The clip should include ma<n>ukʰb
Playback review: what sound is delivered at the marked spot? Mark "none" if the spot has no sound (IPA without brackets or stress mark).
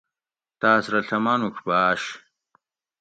n